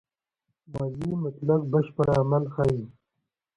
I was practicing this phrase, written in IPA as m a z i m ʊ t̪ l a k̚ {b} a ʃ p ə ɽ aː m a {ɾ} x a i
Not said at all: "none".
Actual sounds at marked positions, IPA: b, l

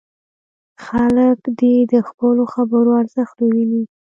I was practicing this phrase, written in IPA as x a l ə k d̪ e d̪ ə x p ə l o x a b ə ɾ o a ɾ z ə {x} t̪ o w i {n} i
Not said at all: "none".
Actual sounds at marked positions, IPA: x, n

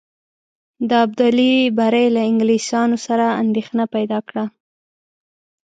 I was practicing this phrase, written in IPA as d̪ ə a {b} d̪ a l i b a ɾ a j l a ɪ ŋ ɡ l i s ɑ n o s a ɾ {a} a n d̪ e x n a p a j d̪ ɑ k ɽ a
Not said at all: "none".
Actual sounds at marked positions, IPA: b, a

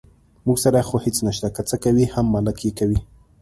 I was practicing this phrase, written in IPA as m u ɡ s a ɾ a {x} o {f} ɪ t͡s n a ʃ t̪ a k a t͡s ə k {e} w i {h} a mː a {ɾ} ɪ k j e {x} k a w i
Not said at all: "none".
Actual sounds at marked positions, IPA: x, h, a, h, l, none

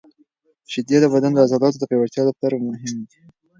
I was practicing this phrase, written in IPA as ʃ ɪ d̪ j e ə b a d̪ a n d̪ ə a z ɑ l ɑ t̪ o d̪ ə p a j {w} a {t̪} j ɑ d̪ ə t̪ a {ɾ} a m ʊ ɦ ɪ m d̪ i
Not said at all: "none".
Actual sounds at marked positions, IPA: w, t̪, ɾ

